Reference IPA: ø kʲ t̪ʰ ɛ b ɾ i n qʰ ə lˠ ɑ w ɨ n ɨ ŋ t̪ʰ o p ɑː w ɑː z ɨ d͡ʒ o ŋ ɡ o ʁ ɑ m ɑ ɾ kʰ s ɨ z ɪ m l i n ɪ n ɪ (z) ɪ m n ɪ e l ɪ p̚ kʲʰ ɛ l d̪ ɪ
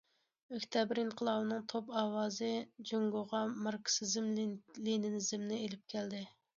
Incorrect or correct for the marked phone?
correct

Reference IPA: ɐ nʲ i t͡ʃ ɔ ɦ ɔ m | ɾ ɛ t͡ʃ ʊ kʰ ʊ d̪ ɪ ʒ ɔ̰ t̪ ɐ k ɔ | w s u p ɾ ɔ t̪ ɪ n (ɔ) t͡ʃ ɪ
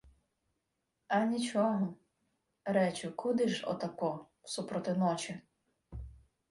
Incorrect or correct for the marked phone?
correct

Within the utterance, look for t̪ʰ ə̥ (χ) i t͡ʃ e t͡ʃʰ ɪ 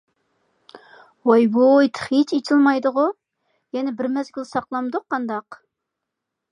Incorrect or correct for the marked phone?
correct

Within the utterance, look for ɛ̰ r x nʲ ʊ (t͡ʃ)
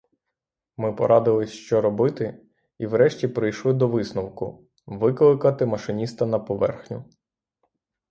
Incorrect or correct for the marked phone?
incorrect: none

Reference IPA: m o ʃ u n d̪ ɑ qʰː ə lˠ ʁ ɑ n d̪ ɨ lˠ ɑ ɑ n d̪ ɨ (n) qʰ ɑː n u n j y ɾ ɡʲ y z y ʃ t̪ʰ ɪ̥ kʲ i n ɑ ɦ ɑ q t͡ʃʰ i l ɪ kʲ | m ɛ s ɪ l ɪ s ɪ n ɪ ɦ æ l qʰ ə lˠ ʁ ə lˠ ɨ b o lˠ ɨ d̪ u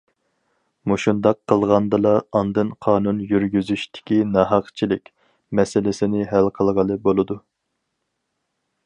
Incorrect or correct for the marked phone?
correct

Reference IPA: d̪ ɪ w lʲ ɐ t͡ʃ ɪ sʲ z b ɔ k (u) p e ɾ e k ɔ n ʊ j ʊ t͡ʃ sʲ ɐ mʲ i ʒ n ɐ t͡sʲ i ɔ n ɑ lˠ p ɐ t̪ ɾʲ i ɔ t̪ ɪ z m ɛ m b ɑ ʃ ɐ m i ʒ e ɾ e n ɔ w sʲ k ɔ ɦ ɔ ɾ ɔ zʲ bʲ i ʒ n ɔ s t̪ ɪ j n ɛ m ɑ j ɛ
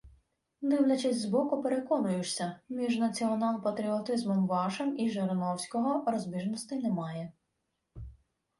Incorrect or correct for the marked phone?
incorrect: ʊ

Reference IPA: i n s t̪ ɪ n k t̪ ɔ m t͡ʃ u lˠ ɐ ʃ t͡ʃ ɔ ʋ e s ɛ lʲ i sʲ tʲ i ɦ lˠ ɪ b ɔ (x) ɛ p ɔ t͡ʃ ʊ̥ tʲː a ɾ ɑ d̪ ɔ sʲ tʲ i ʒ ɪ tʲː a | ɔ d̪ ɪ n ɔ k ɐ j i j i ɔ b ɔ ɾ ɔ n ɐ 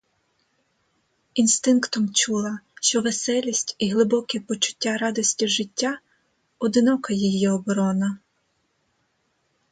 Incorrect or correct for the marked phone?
incorrect: k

